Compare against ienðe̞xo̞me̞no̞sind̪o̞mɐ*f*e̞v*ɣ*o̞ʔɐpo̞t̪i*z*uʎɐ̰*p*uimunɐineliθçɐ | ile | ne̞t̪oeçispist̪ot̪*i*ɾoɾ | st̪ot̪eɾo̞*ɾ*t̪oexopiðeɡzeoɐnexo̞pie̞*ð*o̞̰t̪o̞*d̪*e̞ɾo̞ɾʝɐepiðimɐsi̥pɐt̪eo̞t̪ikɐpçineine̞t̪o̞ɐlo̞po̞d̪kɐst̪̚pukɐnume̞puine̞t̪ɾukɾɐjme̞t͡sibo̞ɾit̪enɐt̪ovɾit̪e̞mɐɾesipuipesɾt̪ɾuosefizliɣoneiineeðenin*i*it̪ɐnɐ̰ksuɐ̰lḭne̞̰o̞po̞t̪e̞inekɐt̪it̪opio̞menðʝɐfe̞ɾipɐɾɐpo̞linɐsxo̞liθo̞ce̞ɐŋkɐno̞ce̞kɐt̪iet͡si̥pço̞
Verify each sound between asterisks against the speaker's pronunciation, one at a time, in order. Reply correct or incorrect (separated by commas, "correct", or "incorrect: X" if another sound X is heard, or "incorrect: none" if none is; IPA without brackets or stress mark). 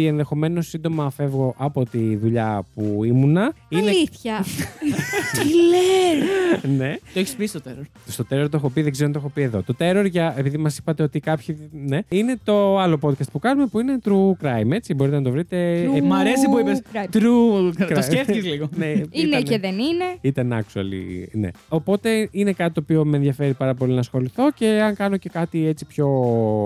correct, correct, incorrect: ð, correct, incorrect: e, correct, correct, incorrect: t̪, incorrect: e